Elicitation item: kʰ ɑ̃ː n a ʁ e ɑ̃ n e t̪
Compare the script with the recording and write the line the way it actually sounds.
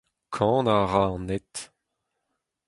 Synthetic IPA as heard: kʰ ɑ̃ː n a ʁ a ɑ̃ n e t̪